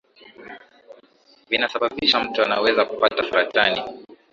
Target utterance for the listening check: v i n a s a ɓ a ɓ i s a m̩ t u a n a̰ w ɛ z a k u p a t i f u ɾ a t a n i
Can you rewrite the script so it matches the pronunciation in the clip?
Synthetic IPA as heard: v i n a s a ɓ a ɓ i ʃ a m̩ t u a n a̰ w ɛ z a k u p a t a f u ɾ a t a n i